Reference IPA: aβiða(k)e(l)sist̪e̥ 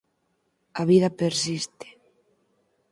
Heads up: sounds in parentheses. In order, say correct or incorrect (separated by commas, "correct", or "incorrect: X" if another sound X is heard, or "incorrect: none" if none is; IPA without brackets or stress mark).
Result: incorrect: p, incorrect: ɾ